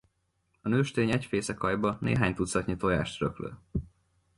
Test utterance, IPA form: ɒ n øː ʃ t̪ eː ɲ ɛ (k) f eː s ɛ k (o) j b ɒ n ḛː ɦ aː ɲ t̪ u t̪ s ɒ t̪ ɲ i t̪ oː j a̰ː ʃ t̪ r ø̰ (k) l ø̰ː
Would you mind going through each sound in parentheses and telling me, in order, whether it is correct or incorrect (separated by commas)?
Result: incorrect, incorrect, correct